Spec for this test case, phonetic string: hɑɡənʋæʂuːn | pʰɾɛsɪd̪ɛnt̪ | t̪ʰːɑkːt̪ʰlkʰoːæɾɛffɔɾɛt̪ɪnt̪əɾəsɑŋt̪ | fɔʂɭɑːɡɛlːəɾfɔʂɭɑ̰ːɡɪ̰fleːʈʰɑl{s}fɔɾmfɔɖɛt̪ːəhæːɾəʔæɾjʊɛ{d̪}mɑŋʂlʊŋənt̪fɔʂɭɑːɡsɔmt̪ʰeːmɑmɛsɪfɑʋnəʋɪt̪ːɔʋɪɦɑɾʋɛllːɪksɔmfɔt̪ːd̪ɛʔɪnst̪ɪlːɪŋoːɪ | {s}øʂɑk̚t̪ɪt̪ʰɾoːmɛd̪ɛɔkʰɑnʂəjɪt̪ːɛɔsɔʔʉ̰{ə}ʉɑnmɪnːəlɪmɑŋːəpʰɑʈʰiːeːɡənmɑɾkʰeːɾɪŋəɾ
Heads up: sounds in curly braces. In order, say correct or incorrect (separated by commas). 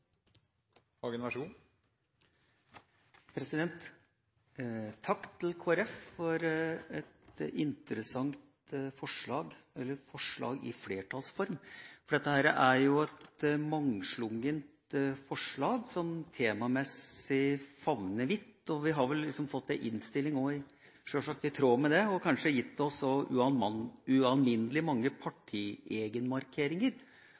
correct, incorrect, incorrect, incorrect